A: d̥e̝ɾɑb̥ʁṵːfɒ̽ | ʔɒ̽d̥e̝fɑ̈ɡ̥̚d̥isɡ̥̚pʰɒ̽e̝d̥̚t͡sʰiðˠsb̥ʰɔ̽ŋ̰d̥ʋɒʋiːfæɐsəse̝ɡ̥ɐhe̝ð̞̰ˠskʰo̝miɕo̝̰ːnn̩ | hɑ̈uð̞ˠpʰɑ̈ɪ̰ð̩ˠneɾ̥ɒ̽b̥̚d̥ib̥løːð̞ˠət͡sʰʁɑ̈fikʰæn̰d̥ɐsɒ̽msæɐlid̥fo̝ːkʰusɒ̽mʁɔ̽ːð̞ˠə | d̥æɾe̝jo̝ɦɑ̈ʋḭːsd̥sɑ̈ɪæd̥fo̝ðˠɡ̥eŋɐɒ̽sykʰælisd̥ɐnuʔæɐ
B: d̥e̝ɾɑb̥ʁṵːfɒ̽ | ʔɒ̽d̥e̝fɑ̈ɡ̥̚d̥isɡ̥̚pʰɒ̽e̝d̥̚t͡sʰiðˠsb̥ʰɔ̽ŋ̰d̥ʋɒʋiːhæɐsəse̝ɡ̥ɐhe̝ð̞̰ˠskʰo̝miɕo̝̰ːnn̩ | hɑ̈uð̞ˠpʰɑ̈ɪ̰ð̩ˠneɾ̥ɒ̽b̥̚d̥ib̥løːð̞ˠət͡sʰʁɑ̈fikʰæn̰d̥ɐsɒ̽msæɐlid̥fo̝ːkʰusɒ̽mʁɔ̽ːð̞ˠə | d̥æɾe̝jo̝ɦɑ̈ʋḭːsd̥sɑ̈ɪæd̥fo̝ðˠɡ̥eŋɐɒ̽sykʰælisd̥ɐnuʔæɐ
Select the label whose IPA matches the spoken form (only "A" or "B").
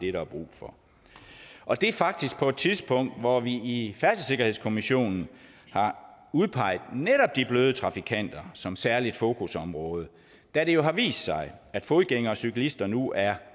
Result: A